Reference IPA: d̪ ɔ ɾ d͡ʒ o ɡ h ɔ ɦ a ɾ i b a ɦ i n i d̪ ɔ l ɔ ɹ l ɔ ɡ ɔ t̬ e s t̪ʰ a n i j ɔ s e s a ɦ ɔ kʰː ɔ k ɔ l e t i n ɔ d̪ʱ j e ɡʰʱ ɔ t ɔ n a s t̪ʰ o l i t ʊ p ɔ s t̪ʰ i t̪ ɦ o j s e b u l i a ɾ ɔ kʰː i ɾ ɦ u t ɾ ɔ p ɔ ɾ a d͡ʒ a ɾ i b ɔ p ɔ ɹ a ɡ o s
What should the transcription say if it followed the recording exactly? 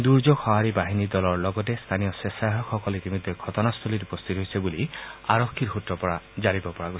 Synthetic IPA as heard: d̪ u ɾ d͡ʒ o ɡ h ɔ ɦ a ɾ i b a ɦ i n i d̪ ɔ l ɔ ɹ l ɔ ɡ ɔ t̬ e s t̪ʰ a n i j ɔ s e s a ɦ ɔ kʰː ɔ k ɔ l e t i m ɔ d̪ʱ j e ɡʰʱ ɔ t ɔ n a s t̪ʰ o l i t u p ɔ s t̪ʰ i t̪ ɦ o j s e b u l i a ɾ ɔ kʰː i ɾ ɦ u t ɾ ɔ p ɔ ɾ a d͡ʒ a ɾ i b ɔ p ɔ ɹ a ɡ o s